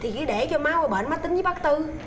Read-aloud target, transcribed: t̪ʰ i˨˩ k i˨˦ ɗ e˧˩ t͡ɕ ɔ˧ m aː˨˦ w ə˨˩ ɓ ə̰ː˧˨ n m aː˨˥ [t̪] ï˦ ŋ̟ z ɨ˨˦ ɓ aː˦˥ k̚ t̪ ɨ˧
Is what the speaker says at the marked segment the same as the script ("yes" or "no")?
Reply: yes